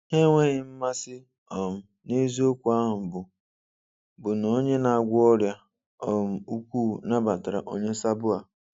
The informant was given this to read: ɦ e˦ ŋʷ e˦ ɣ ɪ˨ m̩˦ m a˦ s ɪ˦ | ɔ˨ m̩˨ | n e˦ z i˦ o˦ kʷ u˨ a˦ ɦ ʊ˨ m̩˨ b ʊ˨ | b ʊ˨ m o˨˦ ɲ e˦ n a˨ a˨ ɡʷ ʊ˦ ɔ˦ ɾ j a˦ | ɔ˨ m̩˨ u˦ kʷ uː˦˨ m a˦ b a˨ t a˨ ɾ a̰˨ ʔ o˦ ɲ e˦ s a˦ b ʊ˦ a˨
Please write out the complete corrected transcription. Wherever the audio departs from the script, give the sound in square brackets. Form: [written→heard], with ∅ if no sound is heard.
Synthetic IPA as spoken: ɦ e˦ ŋʷ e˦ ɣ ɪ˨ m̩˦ m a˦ s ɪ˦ | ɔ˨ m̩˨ | n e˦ z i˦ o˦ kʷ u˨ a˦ ɦ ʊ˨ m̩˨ b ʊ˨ | b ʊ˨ [m→n] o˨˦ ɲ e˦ n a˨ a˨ ɡʷ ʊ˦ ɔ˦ ɾ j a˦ | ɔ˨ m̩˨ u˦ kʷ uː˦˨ [m→n] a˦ b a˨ t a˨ ɾ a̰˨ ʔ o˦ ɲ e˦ s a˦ b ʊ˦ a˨